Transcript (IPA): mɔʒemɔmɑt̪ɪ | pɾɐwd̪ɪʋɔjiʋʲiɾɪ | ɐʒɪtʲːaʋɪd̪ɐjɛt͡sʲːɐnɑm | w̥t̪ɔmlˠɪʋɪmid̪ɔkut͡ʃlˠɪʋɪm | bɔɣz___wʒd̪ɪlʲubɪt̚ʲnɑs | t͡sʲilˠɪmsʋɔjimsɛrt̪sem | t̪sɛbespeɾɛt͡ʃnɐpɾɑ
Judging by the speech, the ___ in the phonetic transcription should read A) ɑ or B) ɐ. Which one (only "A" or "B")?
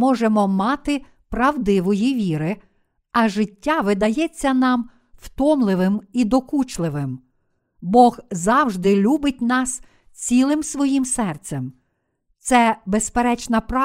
A